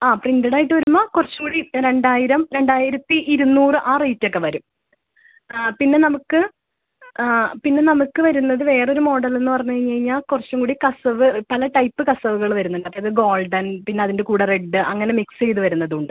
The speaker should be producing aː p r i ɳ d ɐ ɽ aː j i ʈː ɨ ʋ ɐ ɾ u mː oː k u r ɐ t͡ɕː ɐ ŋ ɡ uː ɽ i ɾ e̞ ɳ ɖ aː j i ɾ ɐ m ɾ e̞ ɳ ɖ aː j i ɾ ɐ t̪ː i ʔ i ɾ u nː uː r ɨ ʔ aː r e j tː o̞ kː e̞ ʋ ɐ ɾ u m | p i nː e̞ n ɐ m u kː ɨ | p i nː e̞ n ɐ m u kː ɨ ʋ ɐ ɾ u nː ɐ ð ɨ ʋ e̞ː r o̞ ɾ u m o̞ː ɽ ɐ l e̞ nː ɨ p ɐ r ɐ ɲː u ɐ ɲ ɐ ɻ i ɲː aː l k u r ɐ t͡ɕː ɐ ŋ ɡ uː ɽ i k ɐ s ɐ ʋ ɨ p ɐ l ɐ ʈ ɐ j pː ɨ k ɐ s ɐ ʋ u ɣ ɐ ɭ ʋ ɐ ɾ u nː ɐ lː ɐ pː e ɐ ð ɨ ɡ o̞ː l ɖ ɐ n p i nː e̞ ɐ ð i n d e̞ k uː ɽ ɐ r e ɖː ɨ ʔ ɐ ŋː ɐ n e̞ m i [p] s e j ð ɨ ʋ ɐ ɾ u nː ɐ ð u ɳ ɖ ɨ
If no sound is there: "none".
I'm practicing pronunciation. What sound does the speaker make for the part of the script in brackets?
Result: k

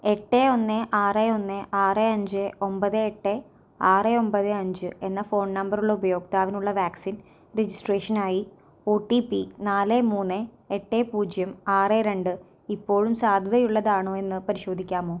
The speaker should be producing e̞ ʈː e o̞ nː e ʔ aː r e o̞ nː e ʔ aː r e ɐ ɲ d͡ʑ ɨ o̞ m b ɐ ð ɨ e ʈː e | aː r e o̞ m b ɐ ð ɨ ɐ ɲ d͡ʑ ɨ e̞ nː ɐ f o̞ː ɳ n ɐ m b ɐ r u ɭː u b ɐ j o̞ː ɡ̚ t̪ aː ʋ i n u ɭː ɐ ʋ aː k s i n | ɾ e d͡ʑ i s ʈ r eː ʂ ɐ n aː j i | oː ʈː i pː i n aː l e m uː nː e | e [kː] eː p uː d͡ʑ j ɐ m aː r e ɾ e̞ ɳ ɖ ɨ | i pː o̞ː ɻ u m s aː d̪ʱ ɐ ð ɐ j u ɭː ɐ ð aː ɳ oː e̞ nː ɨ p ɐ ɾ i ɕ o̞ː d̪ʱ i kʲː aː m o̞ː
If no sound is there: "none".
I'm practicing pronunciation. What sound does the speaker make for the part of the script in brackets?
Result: ʈː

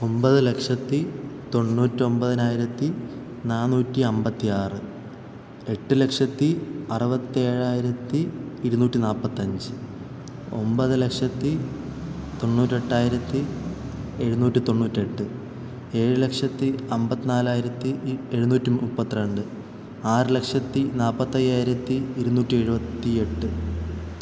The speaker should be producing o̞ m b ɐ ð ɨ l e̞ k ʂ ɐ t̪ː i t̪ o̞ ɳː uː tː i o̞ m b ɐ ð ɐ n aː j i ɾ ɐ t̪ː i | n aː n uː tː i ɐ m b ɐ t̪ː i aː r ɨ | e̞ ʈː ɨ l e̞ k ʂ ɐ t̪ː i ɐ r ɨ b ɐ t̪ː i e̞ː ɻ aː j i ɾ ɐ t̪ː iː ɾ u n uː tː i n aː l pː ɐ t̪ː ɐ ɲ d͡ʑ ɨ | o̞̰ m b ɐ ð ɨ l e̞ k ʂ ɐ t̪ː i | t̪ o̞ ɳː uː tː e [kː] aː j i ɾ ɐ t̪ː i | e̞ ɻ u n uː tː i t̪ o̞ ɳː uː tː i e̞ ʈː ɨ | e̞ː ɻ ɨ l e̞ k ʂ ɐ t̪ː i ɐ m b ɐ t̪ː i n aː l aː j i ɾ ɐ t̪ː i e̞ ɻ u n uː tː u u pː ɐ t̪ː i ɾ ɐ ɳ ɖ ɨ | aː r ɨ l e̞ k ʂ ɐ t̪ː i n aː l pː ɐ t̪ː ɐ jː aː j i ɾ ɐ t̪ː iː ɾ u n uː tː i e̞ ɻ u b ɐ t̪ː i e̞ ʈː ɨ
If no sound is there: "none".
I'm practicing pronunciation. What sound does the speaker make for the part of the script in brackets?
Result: ʈː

